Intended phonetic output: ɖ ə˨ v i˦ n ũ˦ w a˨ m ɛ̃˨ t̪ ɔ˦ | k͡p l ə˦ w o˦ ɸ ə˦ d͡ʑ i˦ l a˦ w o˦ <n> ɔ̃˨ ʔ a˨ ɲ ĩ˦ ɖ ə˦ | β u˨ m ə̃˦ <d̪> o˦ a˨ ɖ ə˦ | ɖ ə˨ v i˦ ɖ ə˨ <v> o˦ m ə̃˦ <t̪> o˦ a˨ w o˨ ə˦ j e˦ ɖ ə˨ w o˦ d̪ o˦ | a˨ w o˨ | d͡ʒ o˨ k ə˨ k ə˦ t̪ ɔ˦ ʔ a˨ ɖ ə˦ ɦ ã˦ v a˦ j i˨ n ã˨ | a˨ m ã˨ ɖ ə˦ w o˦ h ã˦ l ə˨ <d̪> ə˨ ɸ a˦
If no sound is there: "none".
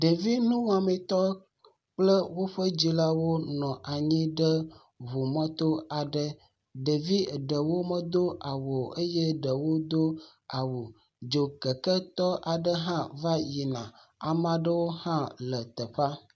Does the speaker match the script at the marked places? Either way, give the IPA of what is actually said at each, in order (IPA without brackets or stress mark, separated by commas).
n, t̪, w, d̪, t̪